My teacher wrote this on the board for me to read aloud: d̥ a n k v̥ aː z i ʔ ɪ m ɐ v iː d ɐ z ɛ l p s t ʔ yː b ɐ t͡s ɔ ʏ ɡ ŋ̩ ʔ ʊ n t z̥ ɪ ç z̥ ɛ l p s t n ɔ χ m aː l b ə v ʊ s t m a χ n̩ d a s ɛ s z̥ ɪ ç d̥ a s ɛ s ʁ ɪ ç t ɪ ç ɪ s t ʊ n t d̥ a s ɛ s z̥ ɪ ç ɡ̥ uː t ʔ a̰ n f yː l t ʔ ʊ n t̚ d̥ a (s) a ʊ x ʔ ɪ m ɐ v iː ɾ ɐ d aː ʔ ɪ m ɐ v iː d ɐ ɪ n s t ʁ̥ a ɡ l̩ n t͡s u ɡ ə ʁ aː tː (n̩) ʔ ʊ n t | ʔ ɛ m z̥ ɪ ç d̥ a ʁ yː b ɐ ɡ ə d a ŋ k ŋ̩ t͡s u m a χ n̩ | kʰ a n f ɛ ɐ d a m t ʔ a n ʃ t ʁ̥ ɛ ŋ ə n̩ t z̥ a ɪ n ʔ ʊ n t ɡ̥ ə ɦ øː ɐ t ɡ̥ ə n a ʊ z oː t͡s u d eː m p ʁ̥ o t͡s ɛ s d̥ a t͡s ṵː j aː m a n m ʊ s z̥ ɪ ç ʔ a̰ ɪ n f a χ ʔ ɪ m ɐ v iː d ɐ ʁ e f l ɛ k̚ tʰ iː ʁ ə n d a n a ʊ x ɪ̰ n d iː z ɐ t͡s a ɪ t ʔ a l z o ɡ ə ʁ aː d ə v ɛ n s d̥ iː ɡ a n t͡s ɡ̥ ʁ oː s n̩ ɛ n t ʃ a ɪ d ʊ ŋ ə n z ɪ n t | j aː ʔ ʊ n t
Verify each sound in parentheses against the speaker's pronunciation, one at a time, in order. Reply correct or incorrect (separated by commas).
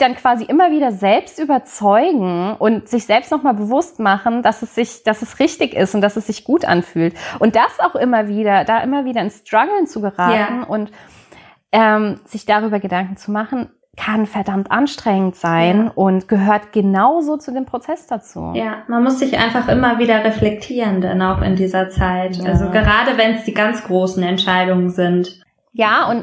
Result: correct, correct